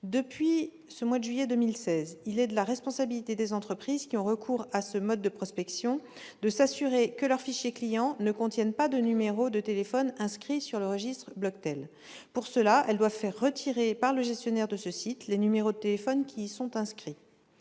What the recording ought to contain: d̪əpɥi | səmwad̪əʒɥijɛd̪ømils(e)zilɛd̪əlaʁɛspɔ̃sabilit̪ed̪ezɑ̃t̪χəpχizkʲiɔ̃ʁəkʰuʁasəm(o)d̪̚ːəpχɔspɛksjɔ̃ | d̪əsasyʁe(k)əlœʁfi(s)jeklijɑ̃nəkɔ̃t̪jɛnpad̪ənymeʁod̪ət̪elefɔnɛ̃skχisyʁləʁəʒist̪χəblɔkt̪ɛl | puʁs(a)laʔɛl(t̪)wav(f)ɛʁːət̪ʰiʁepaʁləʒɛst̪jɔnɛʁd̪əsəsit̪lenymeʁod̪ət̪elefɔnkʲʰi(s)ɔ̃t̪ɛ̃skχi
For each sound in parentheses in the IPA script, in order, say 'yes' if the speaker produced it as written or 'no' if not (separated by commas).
no, no, yes, no, no, no, yes, yes